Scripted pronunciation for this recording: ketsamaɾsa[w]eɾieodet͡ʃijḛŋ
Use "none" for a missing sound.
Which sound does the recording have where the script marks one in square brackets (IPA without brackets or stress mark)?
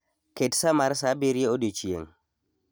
b